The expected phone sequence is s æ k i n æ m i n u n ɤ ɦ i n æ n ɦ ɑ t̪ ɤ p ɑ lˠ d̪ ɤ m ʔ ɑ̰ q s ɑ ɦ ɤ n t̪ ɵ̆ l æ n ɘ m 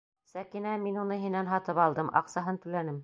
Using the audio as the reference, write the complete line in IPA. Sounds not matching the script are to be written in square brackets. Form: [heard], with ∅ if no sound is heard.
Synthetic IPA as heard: s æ k i n æ m i n u n ɤ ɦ i n æ n ɦ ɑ t̪ ɤ p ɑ lˠ d̪ ɤ m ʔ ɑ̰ q s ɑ ɦ ɤ n t̪ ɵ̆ l æ n ɘ m